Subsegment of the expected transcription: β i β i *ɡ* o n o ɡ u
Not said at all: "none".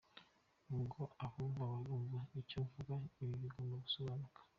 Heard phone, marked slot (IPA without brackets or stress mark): ɡ